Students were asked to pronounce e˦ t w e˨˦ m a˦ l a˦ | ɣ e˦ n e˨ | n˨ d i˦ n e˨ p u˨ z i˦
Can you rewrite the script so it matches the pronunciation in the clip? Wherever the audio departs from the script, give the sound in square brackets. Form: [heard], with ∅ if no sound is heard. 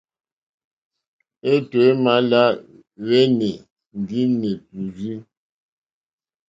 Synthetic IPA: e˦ t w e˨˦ m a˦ l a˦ | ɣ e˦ n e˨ | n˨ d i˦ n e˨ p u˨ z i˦